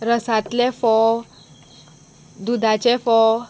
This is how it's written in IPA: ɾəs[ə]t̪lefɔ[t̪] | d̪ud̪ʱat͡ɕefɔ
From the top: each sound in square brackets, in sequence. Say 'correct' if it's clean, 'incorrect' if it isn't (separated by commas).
incorrect, incorrect